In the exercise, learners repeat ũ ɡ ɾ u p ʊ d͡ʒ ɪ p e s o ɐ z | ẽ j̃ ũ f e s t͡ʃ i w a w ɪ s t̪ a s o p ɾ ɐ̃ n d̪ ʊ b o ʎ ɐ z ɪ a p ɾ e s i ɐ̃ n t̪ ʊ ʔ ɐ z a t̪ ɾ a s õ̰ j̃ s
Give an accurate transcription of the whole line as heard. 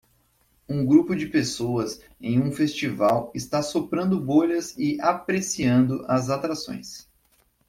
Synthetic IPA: ũ ɡ ɾ u p ʊ d͡ʒ ɪ p e s o ɐ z | ẽ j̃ ũ f e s t͡ʃ i v a w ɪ s t̪ a s o p ɾ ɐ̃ n d̪ ʊ b o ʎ ɐ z ɪ a p ɾ e s i ɐ̃ n d̪ ʊ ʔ ɐ z a t̪ ɾ a s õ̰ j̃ s